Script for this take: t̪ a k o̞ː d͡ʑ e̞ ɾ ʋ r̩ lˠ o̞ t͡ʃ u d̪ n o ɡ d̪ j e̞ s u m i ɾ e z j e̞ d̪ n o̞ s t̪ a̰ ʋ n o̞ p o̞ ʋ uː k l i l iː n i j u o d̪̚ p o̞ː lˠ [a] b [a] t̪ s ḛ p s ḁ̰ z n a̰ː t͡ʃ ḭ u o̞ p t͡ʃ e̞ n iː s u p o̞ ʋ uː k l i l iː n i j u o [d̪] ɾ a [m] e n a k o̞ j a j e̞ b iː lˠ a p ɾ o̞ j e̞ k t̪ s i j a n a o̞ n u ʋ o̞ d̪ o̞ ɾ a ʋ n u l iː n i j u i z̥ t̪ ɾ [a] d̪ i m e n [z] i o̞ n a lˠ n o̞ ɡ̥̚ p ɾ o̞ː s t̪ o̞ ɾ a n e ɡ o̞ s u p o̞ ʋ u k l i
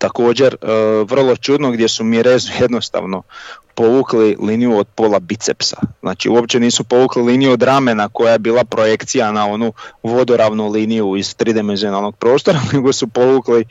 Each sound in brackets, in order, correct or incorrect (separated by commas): correct, incorrect, correct, correct, incorrect, correct